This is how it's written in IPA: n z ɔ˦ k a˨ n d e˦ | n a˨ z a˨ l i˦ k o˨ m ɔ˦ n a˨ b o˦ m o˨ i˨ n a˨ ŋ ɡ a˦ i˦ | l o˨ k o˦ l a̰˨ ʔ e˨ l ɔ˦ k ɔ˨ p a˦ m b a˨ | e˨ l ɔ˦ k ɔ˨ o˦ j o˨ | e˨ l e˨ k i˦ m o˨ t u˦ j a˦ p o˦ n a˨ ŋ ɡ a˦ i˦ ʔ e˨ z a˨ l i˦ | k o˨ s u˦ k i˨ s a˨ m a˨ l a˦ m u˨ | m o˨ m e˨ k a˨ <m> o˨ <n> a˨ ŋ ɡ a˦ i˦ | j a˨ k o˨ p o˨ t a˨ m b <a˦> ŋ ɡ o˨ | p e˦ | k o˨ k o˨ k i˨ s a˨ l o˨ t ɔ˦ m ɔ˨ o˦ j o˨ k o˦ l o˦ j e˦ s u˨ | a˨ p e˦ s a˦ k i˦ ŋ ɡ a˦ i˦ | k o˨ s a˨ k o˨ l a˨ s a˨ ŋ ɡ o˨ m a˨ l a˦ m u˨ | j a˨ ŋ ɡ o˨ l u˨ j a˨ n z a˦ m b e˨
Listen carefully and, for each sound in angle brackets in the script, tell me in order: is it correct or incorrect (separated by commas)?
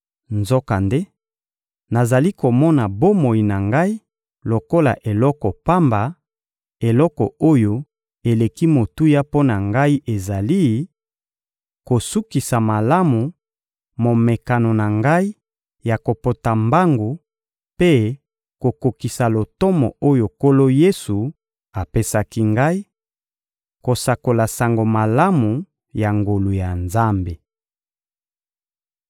incorrect, correct, correct